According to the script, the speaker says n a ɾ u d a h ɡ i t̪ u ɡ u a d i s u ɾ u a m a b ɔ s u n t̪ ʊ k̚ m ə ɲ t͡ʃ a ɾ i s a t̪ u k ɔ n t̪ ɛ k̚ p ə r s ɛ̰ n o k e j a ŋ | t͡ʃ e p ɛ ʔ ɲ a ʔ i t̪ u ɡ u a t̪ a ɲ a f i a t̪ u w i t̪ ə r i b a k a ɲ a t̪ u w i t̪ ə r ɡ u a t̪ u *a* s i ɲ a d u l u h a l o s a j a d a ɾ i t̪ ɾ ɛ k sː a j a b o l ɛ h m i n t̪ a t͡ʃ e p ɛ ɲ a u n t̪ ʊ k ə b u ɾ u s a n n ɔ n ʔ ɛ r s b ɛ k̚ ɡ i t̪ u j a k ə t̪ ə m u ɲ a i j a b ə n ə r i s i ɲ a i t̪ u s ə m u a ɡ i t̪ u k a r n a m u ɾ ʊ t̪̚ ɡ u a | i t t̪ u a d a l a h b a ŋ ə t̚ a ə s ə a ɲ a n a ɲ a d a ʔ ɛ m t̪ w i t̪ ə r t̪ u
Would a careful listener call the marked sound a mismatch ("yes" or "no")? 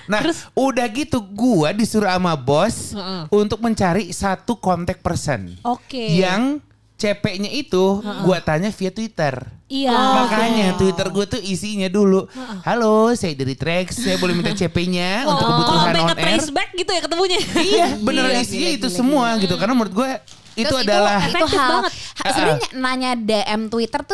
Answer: yes